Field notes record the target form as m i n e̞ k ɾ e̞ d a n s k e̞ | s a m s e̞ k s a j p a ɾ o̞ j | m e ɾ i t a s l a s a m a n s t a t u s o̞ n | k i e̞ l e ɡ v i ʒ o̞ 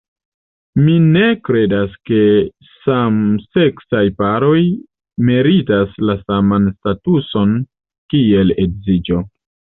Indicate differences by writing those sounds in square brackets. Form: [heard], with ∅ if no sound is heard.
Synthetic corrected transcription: m i n e̞ k ɾ e̞ d a [∅] s k e̞ | s a m s e̞ k s a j p a ɾ o̞ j | m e ɾ i t a s l a s a m a n s t a t u s o̞ n | k i e̞ l e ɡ [z] i [d͡ʒ] o̞